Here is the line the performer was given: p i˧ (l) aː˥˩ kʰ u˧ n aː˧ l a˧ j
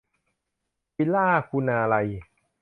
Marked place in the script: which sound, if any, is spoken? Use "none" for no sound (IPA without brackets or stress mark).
l